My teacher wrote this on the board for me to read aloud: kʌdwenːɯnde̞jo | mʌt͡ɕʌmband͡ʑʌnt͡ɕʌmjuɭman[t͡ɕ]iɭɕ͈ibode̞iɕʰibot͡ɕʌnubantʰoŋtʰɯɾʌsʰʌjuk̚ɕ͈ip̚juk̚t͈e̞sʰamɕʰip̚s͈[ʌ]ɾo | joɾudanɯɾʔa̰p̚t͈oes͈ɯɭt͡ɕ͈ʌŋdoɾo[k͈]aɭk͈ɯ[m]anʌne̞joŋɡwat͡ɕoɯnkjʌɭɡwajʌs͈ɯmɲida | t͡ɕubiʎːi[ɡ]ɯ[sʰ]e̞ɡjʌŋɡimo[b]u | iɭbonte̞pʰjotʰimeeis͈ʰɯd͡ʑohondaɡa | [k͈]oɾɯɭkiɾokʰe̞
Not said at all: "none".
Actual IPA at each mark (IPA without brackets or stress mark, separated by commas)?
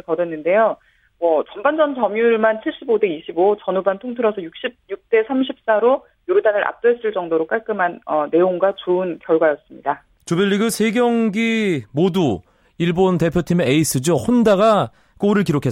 t͡ɕʰ, a, k͈, m, ɡ, sʰ, d, k͈